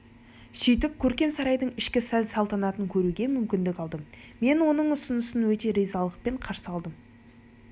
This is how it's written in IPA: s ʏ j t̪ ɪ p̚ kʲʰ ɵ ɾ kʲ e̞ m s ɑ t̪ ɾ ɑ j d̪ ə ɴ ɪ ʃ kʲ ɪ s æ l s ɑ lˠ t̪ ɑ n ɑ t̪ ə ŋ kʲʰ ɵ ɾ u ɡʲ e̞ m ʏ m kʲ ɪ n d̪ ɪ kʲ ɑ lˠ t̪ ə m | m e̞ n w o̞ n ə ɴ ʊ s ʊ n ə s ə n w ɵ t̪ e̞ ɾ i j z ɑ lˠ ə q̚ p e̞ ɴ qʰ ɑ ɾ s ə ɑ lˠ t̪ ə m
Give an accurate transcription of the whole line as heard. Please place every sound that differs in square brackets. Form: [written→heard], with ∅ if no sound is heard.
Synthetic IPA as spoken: s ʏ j t̪ ɪ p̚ kʲʰ ɵ ɾ kʲ e̞ m s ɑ [t̪→∅] ɾ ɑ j d̪ ə ɴ ɪ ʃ kʲ ɪ s æ l s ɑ lˠ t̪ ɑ n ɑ t̪ ə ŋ kʲʰ ɵ ɾ u ɡʲ e̞ m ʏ m kʲ ɪ n d̪ ɪ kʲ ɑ lˠ [t̪→d̪] ə m | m e̞ n w o̞ n ə ɴ ʊ s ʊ n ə s ə n w ɵ t̪ e̞ ɾ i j z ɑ lˠ ə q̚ p e̞ ɴ qʰ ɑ ɾ s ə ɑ lˠ [t̪→d̪] ə m

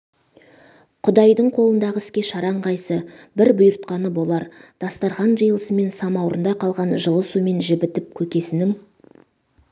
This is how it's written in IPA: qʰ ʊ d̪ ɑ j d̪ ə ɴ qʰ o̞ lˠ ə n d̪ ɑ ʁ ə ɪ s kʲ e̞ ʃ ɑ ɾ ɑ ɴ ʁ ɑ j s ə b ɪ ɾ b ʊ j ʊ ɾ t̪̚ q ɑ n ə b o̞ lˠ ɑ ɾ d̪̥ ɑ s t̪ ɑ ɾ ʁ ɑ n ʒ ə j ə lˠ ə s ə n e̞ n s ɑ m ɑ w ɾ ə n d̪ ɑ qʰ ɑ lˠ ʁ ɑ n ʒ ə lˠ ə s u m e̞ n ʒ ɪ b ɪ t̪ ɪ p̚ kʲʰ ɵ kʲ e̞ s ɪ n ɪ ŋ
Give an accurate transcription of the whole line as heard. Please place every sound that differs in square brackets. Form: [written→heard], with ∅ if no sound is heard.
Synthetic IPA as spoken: qʰ ʊ d̪ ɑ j d̪ ə ɴ qʰ o̞ lˠ ə n d̪ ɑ ʁ ə ɪ s kʲ e̞ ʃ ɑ ɾ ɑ ɴ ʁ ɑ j s ə b ɪ ɾ b ʊ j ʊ ɾ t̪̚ q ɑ n ə b o̞ lˠ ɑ ɾ d̪̥ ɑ s t̪ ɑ ɾ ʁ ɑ n ʒ ə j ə lˠ ə s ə [n→m] e̞ n s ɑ m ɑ w ɾ ə n d̪ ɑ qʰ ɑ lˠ ʁ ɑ n ʒ ə lˠ ə s u m e̞ n ʒ ɪ b ɪ t̪ ɪ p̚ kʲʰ ɵ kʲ e̞ s ɪ n ɪ ŋ

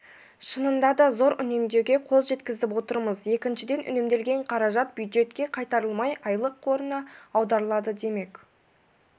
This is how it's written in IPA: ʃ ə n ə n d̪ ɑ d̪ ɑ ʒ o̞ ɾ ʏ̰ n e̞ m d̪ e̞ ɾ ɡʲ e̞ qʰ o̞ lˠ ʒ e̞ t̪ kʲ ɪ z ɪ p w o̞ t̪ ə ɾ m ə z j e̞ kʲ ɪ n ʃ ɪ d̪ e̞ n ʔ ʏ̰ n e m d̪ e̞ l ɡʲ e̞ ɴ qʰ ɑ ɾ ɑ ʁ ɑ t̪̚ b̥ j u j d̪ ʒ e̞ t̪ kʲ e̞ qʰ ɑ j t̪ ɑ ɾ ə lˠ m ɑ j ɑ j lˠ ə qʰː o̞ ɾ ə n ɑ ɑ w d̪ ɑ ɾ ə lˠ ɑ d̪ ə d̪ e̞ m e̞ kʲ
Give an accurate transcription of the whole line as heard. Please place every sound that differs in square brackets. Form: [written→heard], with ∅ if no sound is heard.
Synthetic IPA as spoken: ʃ ə n ə n d̪ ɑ d̪ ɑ [ʒ→z] o̞ ɾ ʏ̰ n e̞ m d̪ e̞ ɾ ɡʲ e̞ qʰ o̞ lˠ ʒ e̞ t̪ kʲ ɪ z ɪ p w o̞ t̪ ə ɾ m ə z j e̞ kʲ ɪ n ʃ ɪ d̪ e̞ n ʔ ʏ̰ n e m d̪ e̞ l ɡʲ e̞ ɴ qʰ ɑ ɾ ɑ [ʁ→ʒ] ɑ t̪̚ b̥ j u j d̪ ʒ e̞ t̪ kʲ e̞ qʰ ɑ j t̪ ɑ ɾ ə lˠ m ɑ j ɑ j lˠ ə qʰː o̞ ɾ ə n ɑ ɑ w d̪ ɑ ɾ ə lˠ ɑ d̪ ə d̪ e̞ m e̞ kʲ

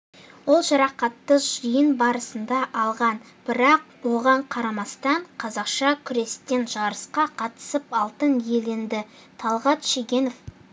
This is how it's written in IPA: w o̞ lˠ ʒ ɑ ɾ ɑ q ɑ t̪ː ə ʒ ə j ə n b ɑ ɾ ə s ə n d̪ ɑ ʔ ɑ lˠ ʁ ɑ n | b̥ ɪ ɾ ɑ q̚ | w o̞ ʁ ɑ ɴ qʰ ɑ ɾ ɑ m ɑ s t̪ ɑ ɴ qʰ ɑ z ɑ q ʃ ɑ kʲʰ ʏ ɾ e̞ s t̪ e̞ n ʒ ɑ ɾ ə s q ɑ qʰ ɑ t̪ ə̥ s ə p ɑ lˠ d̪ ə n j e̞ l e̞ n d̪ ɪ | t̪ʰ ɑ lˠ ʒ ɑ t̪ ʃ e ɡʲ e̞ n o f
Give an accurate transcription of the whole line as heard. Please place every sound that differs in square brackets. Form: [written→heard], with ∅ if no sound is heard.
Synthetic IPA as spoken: w o̞ lˠ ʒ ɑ ɾ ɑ q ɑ t̪ː ə ʒ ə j ə n b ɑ ɾ ə s ə n d̪ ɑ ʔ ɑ lˠ ʁ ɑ n | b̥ ɪ ɾ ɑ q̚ | w o̞ ʁ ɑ ɴ qʰ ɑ ɾ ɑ m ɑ s t̪ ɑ ɴ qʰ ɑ z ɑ q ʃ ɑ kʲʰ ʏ ɾ e̞ s t̪ e̞ n ʒ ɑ ɾ ə s q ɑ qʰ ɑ t̪ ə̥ s ə p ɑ lˠ [d̪→t̪] ə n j e̞ l e̞ n d̪ ɪ | t̪ʰ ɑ lˠ [ʒ→ʁ] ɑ t̪ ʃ e ɡʲ e̞ n o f

